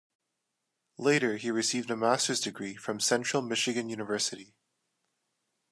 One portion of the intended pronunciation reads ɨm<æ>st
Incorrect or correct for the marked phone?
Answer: correct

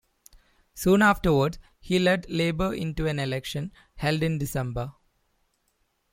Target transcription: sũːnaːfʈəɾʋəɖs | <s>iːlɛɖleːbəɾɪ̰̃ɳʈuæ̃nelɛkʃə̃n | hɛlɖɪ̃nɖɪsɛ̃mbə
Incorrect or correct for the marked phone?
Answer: incorrect: h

